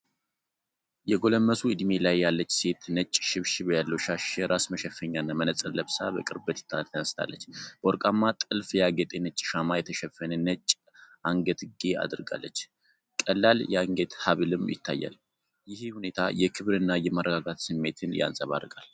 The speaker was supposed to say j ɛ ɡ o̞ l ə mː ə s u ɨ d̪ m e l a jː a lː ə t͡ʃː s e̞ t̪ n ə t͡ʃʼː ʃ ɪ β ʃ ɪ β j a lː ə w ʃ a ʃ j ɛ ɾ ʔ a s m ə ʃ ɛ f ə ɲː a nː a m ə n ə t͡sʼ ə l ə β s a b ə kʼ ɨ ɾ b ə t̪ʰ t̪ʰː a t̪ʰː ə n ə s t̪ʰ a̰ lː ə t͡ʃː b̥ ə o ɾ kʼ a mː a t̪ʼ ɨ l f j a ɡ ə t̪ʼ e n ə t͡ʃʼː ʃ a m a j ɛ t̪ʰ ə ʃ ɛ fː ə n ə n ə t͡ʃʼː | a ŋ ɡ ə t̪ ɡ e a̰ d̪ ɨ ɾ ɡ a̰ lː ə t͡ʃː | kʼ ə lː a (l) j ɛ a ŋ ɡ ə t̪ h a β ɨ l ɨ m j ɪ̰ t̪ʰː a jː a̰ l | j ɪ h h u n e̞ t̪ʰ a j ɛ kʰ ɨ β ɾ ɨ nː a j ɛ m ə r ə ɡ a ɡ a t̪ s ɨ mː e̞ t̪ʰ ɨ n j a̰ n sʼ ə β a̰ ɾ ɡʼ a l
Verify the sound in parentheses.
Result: correct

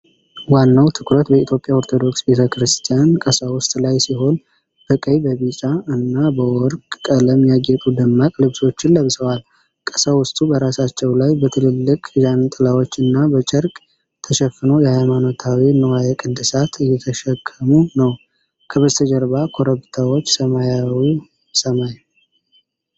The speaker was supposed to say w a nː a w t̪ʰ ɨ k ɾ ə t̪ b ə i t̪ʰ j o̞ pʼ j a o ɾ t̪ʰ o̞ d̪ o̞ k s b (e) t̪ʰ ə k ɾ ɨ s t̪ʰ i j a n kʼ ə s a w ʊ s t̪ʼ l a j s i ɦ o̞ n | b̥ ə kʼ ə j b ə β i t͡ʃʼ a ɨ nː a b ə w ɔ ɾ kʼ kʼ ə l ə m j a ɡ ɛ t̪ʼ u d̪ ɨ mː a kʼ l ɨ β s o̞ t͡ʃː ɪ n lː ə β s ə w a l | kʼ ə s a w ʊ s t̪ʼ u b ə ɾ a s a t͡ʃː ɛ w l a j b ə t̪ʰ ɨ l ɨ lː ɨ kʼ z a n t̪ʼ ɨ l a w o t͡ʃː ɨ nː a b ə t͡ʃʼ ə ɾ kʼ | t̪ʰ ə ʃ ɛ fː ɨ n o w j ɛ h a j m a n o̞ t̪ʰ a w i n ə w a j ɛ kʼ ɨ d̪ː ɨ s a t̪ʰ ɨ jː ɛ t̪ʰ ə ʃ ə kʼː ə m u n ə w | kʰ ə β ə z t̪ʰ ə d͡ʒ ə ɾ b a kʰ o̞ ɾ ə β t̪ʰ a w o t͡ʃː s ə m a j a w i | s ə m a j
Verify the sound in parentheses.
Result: correct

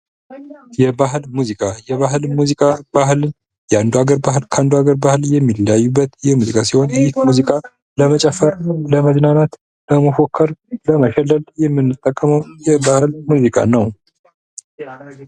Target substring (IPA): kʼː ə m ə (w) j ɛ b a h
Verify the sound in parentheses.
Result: correct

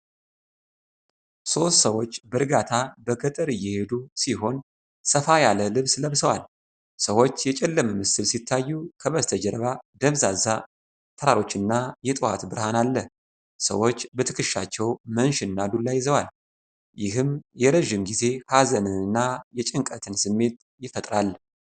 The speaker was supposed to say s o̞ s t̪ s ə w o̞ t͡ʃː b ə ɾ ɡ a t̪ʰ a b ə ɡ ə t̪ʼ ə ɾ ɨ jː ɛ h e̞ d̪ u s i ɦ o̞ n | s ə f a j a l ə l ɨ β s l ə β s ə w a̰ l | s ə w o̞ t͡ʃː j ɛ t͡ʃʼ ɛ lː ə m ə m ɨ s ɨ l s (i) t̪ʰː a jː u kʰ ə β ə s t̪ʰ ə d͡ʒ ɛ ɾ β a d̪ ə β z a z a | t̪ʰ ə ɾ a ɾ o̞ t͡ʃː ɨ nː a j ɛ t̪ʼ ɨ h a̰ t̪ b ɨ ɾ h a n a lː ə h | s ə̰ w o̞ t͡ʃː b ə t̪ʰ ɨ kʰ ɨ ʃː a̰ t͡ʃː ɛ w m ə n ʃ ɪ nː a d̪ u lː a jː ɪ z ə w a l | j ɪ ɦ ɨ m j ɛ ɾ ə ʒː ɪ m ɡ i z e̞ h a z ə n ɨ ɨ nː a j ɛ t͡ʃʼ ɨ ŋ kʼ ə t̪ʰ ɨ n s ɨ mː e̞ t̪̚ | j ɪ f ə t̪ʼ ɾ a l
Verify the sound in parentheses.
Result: correct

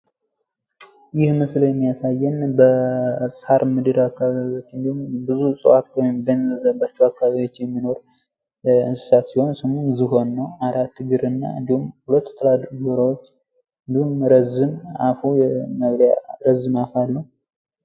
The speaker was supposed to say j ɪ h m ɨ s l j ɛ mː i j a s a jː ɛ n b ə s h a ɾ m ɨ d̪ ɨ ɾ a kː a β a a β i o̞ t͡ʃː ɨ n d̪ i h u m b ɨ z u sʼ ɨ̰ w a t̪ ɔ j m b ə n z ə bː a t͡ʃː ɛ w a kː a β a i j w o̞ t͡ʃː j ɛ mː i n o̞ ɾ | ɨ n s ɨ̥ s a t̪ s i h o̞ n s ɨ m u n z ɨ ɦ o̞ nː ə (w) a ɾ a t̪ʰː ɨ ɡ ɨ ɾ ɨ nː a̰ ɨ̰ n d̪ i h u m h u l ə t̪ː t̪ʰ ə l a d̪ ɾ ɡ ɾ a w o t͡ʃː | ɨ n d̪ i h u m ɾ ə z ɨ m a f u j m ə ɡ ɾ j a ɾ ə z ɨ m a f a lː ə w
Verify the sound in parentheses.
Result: correct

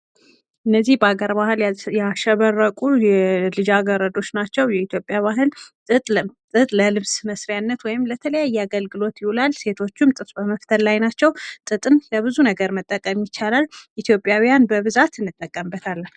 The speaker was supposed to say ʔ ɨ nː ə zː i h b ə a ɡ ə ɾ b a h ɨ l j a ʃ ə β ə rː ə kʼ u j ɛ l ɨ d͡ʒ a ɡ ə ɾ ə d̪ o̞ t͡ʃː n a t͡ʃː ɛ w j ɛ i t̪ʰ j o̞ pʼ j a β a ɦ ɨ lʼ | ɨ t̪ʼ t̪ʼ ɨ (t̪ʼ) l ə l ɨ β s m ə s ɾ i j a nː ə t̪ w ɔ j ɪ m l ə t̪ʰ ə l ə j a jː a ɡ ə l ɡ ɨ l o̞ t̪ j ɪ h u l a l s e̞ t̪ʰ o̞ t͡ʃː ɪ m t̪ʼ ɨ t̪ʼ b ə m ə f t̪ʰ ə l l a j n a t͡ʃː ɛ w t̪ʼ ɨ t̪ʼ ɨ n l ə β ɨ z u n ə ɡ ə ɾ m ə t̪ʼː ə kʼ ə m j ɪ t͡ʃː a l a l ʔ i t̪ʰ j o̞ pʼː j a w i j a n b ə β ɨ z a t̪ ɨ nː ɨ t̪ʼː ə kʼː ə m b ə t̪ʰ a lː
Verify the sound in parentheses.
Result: correct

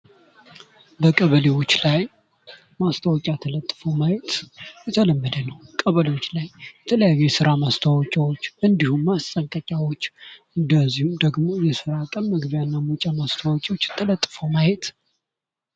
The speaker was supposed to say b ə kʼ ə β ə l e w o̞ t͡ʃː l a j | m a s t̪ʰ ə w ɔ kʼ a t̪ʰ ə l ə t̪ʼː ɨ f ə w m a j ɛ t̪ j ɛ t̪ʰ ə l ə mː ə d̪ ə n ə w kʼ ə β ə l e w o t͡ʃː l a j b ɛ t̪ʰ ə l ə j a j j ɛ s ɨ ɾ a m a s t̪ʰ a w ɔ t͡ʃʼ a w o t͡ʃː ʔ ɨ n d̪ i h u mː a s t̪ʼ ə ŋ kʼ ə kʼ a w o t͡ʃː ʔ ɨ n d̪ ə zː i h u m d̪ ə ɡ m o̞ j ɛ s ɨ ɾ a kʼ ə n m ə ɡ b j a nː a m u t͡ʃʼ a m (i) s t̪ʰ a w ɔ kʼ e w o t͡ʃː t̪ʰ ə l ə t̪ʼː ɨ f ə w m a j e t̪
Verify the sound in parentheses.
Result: incorrect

